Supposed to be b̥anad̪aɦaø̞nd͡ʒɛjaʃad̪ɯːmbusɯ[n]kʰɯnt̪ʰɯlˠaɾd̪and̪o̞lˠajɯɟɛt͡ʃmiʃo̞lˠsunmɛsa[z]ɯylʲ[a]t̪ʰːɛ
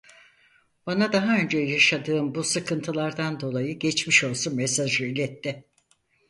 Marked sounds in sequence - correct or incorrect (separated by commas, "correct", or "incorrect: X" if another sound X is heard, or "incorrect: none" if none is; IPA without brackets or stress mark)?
incorrect: none, incorrect: ʒ, incorrect: ɛ